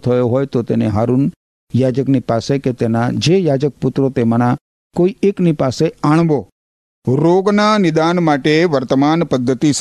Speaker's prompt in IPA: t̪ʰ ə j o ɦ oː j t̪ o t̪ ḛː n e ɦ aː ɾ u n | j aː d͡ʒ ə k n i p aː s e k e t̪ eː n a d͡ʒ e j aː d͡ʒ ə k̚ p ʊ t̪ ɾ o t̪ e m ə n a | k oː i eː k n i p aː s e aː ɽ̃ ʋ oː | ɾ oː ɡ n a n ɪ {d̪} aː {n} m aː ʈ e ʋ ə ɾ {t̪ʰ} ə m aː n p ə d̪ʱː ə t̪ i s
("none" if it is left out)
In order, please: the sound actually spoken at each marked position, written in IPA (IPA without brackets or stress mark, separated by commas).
d̪, n, t̪